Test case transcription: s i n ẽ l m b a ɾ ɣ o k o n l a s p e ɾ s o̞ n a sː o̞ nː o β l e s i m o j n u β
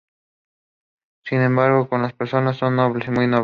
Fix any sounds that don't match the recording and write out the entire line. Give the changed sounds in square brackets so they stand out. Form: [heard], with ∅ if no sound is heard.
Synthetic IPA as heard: s i n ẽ [∅] m b a ɾ ɣ o k o n l a s p e ɾ s o̞ n a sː o̞ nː o β l e s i m [u] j n [o] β